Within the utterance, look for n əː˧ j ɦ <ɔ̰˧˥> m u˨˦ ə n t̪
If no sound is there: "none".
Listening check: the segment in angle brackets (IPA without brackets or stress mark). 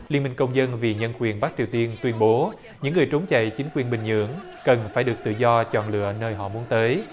ɔ̰˧˨